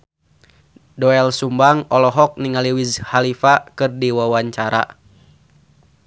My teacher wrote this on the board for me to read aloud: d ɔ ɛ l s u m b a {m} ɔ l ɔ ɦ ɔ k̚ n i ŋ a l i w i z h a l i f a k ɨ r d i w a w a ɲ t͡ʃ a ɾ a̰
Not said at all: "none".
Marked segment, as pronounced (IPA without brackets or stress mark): ŋ